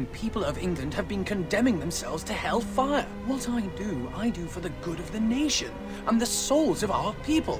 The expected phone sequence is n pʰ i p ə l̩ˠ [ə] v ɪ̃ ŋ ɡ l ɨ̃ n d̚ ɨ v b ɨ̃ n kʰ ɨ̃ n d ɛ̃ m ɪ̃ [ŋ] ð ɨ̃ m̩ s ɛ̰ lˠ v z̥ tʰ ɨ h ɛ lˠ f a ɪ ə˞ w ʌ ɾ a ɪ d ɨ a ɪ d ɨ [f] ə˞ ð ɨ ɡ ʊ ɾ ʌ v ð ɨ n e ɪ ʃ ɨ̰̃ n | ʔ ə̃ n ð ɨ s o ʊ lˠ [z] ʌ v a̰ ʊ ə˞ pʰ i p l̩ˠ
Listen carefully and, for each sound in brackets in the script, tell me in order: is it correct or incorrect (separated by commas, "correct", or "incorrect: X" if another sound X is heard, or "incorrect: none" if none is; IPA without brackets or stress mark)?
incorrect: ʌ, correct, correct, correct